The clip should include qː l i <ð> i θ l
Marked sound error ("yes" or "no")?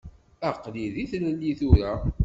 no